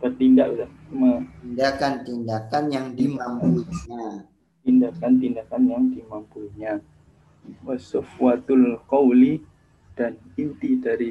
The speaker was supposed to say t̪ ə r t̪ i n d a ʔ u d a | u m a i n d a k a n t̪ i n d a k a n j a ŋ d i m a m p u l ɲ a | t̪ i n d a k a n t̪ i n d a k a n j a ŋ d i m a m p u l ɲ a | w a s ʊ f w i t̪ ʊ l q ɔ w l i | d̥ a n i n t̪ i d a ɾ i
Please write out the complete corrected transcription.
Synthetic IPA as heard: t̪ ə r t̪ i n d a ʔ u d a | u m a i n d a k a n t̪ i n d a k a n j a ŋ d i m a m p u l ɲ a | t̪ i n d a k a n t̪ i n d a k a n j a ŋ d i m a m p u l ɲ a | w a s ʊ f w a t̪ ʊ l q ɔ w l i | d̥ a n i n t̪ i d a ɾ i